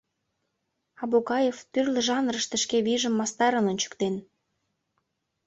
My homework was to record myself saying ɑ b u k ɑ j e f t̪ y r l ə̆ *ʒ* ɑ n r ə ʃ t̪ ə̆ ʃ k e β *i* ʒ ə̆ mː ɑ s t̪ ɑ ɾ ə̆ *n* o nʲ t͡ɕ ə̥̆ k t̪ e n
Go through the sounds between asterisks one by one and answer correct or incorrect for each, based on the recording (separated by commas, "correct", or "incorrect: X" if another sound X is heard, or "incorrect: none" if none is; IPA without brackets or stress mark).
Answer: correct, correct, correct